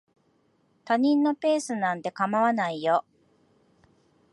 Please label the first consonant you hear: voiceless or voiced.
voiceless